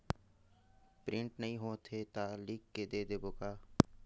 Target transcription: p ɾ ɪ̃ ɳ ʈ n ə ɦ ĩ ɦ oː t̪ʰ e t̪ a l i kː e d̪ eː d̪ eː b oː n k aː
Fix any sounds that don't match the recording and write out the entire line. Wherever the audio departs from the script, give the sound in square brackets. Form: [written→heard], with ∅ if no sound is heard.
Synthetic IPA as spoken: p ɾ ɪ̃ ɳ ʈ n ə ɦ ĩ ɦ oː t̪ʰ e t̪ a l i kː e d̪ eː d̪ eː b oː [n→∅] k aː